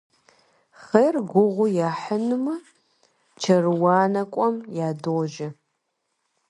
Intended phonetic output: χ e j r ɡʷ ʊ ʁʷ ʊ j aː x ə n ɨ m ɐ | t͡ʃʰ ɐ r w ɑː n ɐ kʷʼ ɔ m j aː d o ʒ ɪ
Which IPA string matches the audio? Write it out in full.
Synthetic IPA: χ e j r ɡʷ ʊ ʁʷ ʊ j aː ħ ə n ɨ m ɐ | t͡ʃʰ ɐ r w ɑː n ɐ kʷʼ ɔ m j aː d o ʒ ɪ